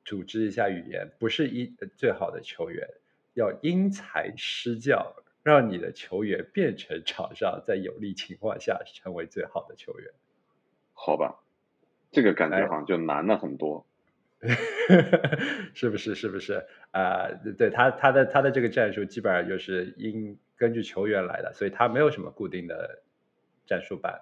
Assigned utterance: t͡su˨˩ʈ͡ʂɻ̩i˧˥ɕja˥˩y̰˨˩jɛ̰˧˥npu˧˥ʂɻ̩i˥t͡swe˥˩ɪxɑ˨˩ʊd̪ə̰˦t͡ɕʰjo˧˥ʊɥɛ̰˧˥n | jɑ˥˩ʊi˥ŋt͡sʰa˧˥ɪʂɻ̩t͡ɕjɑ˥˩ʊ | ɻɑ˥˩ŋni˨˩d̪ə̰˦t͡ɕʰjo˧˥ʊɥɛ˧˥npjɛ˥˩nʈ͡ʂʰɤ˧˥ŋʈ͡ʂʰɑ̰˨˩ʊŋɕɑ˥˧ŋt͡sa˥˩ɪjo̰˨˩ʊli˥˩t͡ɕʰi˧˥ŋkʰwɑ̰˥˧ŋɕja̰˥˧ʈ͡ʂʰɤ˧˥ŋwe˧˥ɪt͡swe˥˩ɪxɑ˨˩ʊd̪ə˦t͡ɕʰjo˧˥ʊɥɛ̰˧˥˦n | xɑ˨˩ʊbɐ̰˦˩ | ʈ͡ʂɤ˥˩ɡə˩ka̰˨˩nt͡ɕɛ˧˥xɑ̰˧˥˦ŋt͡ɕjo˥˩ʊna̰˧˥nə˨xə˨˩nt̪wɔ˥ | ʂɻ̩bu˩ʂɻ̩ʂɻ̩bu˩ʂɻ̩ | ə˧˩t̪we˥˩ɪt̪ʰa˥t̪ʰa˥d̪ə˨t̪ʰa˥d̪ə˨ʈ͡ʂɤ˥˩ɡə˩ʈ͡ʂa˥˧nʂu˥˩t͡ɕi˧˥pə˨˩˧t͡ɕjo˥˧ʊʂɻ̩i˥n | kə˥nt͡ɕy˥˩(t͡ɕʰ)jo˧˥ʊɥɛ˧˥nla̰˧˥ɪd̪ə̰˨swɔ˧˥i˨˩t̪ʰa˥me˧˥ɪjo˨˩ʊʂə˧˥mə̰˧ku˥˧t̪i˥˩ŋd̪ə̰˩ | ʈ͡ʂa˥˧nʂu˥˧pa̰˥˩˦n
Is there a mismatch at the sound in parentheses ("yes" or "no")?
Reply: no